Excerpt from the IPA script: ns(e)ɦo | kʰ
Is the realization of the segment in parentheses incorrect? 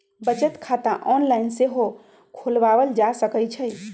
no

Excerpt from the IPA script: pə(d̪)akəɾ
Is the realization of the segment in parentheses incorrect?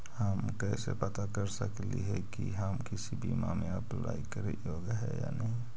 yes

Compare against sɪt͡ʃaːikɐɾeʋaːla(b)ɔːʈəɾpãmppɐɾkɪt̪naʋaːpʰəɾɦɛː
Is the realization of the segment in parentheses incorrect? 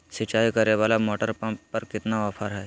yes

